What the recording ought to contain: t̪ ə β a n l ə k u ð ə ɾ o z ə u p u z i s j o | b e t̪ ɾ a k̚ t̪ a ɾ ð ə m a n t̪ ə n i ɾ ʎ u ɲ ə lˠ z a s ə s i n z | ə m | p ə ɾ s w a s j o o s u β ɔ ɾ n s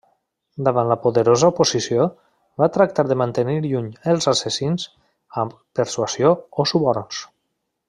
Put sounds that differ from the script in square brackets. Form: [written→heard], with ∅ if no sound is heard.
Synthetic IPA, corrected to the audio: [t̪→d̪] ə β a n l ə [k→p] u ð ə ɾ o z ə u p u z i s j o | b [e→a] t̪ ɾ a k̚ t̪ a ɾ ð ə m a n t̪ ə n i ɾ ʎ u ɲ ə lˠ z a s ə s i n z | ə m | p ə ɾ s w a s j o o s u β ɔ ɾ n s